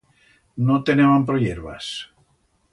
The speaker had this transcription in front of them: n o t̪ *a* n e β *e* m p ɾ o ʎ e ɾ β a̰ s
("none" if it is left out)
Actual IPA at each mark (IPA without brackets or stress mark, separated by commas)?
e, a